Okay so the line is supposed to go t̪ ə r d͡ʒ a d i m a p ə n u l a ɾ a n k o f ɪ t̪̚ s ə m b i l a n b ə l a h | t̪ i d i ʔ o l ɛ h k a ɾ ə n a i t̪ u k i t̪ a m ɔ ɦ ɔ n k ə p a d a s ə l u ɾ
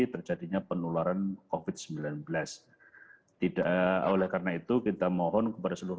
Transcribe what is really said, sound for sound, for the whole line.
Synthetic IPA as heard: t̪ ə r d͡ʒ a d i ɲ a p ə n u l a ɾ a n k o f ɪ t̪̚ s ə m b i l a n b ə l a s | t̪ i d a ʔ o l ɛ h k a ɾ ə n a i t̪ u k i t̪ a m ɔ ɦ ɔ n k ə p a d a s ə l u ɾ